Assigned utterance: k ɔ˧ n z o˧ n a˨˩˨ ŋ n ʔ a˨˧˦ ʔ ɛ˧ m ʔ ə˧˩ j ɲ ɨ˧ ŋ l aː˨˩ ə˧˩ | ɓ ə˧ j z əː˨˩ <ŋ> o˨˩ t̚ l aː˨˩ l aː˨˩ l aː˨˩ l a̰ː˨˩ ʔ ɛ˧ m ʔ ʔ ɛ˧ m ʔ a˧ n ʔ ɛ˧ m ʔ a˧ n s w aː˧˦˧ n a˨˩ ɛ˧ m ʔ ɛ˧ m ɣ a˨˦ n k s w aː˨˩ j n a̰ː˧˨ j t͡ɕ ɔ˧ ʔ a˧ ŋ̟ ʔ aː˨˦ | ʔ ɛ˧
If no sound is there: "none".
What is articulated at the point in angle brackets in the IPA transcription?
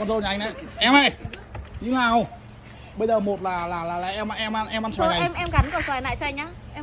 m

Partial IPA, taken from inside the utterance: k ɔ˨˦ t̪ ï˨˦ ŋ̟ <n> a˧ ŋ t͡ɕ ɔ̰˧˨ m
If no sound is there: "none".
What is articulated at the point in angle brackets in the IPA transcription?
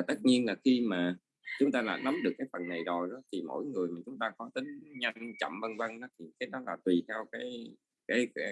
ɲ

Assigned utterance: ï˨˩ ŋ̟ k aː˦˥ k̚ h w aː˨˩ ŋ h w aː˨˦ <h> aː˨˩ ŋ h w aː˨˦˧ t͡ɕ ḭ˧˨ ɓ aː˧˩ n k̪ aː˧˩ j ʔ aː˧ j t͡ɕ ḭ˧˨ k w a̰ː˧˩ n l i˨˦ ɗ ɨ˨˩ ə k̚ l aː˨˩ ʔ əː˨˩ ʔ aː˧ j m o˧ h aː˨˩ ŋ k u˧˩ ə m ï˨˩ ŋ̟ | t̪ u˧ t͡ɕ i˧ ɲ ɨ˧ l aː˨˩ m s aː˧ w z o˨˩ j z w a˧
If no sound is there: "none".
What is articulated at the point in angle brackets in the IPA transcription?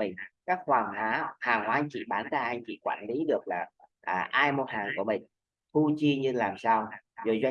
h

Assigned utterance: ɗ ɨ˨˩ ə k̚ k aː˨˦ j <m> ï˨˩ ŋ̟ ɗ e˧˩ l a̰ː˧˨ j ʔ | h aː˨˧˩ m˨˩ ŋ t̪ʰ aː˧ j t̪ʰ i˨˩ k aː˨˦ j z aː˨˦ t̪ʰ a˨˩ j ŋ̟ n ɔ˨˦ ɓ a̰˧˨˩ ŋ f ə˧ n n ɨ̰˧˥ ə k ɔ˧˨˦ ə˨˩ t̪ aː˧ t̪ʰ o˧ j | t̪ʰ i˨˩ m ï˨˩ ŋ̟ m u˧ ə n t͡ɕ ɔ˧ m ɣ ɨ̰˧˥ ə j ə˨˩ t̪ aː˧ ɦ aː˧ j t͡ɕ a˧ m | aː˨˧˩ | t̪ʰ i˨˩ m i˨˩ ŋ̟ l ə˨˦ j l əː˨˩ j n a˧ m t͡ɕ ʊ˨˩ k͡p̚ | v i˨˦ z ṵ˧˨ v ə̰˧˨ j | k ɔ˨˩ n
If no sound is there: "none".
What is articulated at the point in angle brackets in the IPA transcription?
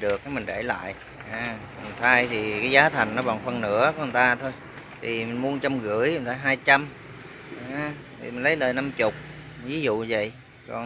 m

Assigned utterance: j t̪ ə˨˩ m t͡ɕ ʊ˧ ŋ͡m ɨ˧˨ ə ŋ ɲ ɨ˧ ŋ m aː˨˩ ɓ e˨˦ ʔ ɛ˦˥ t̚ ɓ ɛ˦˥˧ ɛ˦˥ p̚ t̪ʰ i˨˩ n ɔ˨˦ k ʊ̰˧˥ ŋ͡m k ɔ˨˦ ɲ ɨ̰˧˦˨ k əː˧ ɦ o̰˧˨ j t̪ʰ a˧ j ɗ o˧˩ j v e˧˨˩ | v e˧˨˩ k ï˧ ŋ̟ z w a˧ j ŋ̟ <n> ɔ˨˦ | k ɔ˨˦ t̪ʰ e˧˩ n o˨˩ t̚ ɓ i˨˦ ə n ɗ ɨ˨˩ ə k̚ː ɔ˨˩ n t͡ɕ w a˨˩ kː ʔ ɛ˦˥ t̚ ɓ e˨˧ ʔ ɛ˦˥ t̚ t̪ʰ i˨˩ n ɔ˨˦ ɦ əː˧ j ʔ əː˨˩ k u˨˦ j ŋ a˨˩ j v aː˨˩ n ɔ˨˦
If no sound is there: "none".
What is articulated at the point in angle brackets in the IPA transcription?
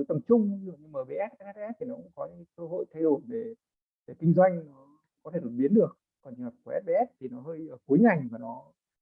n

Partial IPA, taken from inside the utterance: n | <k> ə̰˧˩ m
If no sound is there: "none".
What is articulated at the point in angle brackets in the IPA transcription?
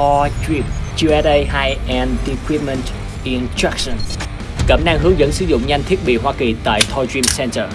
k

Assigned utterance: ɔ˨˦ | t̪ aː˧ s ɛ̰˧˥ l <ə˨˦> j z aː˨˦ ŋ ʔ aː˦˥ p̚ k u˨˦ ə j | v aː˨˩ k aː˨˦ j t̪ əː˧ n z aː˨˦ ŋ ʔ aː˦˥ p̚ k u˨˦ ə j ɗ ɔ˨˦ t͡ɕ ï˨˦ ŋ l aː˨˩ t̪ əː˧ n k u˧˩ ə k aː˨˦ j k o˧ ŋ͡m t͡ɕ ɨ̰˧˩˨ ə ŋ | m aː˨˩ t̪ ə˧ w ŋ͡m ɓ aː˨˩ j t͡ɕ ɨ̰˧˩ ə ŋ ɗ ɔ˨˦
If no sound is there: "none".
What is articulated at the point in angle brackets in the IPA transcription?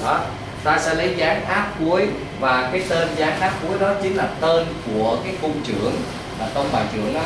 ə˨˦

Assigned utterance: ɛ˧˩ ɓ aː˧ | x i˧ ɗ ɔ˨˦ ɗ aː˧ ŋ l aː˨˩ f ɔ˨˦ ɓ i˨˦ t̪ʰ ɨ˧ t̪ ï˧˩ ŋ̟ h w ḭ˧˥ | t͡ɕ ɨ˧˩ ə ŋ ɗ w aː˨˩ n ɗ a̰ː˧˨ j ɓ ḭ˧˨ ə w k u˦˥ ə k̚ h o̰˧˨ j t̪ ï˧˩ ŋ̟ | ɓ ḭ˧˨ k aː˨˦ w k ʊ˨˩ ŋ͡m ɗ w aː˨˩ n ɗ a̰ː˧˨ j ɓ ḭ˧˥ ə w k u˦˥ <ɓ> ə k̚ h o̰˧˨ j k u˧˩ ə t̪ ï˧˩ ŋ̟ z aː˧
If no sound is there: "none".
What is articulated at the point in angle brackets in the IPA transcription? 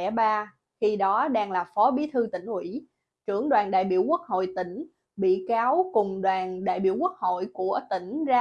none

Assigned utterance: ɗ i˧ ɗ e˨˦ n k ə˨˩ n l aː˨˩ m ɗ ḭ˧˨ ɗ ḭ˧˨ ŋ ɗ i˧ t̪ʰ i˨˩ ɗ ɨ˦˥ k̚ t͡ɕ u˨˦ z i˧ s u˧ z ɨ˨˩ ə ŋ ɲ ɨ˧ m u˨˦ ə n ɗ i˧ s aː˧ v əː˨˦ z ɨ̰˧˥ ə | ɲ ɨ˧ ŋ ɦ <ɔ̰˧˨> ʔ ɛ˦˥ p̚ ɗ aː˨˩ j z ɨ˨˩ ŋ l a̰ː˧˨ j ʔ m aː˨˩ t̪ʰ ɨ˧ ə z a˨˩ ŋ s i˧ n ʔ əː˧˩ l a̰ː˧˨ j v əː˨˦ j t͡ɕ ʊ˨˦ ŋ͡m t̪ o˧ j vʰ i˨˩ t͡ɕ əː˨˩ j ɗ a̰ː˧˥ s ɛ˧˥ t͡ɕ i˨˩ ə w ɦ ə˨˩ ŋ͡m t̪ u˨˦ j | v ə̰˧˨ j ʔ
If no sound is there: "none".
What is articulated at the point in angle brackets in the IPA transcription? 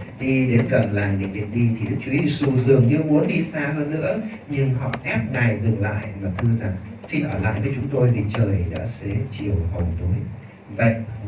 ɔ̰˧˨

